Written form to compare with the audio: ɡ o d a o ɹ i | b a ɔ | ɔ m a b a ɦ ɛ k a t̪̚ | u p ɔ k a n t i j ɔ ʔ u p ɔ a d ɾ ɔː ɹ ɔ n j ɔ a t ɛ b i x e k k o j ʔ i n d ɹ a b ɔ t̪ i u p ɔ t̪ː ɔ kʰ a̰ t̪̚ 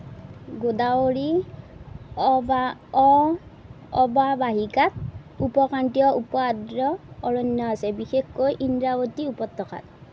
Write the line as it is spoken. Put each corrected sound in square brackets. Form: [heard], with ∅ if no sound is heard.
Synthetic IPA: ɡ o d a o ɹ i | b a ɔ | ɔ [b] a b a ɦ [i] k a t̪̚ | u p ɔ k a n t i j ɔ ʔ u p ɔ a d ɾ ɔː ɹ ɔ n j ɔ a [s] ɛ b i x e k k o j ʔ i n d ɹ a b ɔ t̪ i u p ɔ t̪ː ɔ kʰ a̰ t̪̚

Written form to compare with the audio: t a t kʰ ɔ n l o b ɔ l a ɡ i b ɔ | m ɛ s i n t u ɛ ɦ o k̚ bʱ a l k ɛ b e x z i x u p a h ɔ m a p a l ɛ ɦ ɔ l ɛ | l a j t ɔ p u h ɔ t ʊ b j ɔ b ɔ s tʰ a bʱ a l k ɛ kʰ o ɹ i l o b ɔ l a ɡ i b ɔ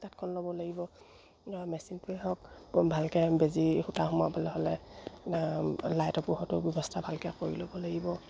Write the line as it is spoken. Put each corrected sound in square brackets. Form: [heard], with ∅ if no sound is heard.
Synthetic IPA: t a t kʰ ɔ n l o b ɔ l a ɡ i b ɔ | m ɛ s i n t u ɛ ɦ [ɔ] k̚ bʱ a l k ɛ b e [∅] z i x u [t] a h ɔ m a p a l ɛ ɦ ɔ l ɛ | l a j t ɔ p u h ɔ t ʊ b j ɔ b ɔ s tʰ a bʱ a l k ɛ [k] o ɹ i l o b ɔ l a ɡ i b ɔ

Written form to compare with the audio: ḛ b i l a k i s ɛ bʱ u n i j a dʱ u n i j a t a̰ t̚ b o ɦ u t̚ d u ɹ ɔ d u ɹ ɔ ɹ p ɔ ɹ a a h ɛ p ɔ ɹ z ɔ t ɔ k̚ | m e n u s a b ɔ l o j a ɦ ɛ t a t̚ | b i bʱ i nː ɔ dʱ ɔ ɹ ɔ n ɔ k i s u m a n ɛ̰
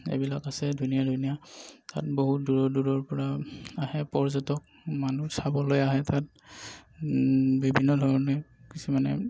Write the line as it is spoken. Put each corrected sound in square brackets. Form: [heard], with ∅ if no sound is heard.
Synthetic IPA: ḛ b i l a k [a] s ɛ [dʱ] u n i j a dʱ u n i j a t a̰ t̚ b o ɦ u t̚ d u ɹ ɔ d u ɹ ɔ ɹ p ɔ ɹ a a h ɛ p ɔ ɹ z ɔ t ɔ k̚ | m [a] n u s a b ɔ l o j a ɦ ɛ t a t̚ | b i bʱ i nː ɔ dʱ ɔ ɹ ɔ n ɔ k i s u m a n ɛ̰

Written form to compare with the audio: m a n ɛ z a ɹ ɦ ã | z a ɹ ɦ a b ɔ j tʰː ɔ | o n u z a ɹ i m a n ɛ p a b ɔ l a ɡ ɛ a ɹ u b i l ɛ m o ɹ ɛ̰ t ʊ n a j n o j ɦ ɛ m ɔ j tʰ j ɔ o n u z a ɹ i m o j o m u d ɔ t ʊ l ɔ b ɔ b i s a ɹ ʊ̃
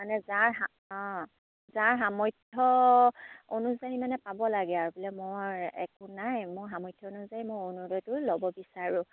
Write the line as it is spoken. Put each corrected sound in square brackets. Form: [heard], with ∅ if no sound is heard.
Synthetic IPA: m a n ɛ z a ɹ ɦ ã | z a ɹ ɦ a [m] ɔ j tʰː ɔ | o n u z a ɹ i m a n ɛ p a b ɔ l a ɡ ɛ a ɹ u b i l ɛ m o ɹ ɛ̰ [k] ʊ n a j [m] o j ɦ [a] m ɔ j tʰ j ɔ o n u z a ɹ i m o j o [n] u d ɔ t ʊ l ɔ b ɔ b i s a ɹ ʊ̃

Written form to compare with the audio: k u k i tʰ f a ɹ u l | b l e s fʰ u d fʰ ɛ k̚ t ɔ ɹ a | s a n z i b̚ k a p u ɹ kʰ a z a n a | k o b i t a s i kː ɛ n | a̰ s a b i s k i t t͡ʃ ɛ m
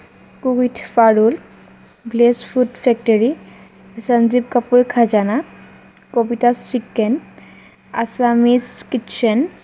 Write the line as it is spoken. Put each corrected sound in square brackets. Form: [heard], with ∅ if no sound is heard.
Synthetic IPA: k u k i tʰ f a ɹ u l | b l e s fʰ u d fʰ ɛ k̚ t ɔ ɹ [i] | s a n z i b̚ k a p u ɹ kʰ a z a n a | k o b i t a s i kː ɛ n | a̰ s a [m] i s k i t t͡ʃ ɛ [n]

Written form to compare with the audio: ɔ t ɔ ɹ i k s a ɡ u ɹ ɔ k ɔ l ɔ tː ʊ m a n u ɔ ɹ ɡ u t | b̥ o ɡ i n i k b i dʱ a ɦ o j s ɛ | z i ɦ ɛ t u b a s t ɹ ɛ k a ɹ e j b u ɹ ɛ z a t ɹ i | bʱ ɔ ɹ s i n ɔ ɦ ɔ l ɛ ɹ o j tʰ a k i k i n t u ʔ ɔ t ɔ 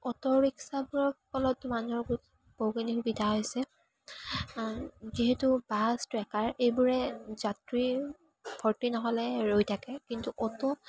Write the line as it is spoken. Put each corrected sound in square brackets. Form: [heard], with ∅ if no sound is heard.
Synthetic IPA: ɔ t ɔ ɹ i k s a [b] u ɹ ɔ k ɔ l ɔ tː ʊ m a n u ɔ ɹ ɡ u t | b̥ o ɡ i n i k b i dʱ a ɦ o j s ɛ | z i ɦ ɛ t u b a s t ɹ ɛ k a ɹ e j b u ɹ ɛ z a t ɹ i | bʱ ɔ ɹ [t] i n ɔ ɦ ɔ l ɛ ɹ o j tʰ a k [ɛ] k i n t u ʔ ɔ t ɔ

